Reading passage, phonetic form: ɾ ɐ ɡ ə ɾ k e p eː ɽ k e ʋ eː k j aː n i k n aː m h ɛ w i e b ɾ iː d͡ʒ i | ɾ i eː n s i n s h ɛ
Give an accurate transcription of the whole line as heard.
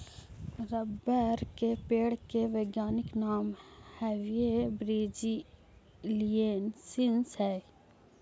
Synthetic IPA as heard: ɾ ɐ b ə ɾ k e p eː ɽ k e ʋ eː ɡ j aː n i k n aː m h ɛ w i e b ɾ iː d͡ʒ i | l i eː n s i n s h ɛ